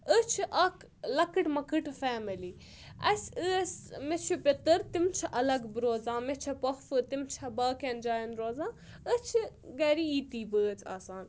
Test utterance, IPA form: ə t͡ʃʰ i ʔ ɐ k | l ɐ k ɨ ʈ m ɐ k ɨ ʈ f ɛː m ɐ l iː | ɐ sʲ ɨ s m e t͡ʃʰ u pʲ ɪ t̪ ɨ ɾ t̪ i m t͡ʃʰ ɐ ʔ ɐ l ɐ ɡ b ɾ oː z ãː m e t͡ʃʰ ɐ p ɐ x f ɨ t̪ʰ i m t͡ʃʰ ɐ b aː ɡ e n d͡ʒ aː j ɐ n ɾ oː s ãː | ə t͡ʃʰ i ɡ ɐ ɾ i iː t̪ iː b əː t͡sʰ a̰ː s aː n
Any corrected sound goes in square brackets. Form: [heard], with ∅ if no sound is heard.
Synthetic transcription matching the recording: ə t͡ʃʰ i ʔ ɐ k | l ɐ k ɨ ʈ m ɐ k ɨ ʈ f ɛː m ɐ l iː | ɐ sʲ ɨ s m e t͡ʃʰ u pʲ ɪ t̪ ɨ ɾ t̪ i m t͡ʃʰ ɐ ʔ ɐ l ɐ ɡ b ɾ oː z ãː m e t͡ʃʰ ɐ p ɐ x f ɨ [t̪] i m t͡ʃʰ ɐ b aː [k] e n d͡ʒ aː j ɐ n ɾ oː [z] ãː | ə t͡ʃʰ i ɡ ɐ ɾ i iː t̪ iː b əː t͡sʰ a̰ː s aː n